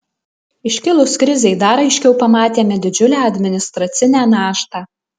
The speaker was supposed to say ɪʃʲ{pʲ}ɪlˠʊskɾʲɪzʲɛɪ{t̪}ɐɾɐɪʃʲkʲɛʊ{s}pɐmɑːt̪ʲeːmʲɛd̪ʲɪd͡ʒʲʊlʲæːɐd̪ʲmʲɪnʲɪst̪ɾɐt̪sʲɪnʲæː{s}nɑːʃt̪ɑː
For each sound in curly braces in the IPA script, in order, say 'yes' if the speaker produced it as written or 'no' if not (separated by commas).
no, no, no, no